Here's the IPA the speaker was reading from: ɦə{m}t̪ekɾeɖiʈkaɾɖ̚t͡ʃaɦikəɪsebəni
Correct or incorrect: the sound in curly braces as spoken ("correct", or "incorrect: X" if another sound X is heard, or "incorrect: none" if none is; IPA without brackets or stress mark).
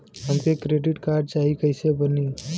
correct